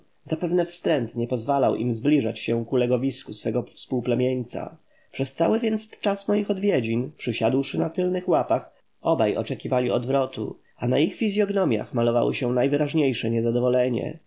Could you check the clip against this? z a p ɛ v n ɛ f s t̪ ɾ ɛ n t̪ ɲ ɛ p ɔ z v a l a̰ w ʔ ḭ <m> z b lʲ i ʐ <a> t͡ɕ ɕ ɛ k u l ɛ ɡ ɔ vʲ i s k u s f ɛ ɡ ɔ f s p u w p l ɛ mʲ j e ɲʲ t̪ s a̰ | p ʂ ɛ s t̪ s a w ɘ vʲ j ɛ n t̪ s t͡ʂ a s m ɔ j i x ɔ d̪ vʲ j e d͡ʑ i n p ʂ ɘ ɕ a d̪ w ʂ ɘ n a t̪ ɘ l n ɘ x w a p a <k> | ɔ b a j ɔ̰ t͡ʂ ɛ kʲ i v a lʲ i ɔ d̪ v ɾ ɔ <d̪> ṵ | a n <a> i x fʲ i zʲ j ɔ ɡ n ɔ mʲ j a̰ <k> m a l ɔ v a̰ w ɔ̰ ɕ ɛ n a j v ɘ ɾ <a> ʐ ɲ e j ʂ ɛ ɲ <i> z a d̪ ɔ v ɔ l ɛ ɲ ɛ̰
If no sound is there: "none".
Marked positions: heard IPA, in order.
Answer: m, a, x, t̪, a, x, a, ɛ

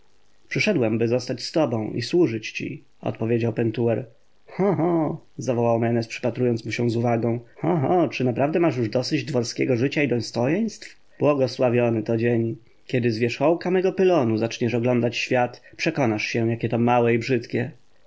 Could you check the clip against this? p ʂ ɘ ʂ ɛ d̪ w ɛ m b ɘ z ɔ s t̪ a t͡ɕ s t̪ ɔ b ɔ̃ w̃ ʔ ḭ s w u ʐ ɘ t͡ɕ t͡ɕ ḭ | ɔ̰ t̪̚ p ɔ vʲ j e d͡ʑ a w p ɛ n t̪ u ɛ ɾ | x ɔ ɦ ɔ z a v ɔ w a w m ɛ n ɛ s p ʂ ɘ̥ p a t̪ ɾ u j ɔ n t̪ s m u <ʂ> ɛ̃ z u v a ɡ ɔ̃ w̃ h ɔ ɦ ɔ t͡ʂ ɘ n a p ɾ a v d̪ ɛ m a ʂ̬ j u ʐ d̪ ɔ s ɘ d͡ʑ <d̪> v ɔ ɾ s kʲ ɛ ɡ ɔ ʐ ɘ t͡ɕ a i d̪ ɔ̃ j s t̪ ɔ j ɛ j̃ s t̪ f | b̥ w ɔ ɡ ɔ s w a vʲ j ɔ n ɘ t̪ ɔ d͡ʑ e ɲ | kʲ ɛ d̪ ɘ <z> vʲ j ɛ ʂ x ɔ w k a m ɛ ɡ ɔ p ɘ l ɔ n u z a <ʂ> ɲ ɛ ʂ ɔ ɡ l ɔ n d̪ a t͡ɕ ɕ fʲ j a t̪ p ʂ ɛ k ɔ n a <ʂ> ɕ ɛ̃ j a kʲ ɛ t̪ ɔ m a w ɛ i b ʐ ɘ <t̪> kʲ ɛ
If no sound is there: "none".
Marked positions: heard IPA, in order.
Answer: ɕ, d̪, z, t͡ʂ, ʂ, t̪

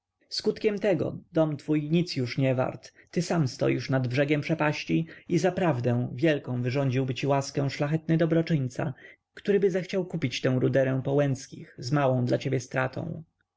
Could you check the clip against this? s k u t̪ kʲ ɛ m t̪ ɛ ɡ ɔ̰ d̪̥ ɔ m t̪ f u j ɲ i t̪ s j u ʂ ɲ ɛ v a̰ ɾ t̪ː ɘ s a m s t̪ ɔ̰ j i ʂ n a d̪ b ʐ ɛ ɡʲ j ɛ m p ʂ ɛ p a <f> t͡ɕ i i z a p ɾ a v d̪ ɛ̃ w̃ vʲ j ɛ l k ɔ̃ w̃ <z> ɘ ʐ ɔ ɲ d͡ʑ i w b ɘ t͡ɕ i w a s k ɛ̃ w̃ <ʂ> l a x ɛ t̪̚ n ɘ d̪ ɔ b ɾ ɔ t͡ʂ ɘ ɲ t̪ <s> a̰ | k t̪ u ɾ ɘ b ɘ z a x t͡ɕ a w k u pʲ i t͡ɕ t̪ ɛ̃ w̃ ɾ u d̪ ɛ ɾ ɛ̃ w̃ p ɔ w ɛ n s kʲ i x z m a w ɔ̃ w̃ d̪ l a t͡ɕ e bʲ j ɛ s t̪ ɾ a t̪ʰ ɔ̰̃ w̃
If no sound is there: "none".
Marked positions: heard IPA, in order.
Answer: ɕ, v, ʂ, s

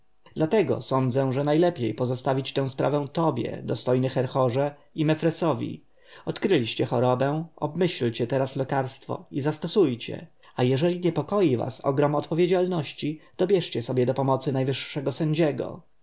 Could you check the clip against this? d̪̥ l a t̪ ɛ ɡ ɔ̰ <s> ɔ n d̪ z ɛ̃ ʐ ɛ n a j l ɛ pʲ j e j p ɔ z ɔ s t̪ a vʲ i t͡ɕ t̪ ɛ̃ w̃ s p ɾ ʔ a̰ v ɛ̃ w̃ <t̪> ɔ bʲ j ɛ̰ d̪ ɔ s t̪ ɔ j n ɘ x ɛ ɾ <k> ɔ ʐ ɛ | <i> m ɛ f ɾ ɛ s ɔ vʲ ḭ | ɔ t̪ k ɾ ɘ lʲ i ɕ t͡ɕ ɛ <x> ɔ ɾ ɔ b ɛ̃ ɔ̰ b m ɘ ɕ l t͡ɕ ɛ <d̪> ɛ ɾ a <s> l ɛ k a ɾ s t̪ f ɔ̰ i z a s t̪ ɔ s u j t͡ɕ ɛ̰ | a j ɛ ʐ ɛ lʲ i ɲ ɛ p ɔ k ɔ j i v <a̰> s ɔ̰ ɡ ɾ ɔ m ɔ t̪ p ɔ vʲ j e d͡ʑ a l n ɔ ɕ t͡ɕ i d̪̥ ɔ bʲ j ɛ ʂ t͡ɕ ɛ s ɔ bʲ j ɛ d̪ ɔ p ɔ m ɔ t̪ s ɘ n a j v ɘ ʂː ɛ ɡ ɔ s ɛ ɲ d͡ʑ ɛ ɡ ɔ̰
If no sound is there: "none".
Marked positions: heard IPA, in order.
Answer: s, t̪, x, i, x, t̪, s, a̰

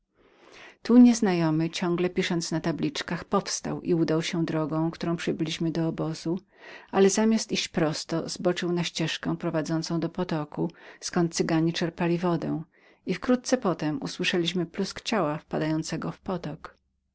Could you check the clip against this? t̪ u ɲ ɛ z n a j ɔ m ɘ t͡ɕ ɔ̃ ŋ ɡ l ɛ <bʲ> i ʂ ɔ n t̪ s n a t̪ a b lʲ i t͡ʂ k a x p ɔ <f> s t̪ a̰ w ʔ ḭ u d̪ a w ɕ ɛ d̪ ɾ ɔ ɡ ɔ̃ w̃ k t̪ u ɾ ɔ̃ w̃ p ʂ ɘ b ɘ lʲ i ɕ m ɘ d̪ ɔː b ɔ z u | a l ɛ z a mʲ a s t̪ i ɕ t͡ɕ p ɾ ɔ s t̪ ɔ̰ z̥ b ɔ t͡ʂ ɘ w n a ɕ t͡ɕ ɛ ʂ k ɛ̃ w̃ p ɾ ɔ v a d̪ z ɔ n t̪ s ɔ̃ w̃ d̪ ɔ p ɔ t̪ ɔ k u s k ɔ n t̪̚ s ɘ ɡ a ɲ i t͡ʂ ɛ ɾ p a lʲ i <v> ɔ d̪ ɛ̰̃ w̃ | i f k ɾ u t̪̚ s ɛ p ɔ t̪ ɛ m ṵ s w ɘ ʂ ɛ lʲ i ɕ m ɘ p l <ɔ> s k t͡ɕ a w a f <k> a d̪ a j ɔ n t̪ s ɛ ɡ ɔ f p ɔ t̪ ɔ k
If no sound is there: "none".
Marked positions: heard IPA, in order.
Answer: pʲ, f, v, u, p

